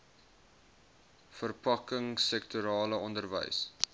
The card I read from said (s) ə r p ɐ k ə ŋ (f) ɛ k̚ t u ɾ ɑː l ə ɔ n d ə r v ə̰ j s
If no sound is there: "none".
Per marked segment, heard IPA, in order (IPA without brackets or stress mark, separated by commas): f, s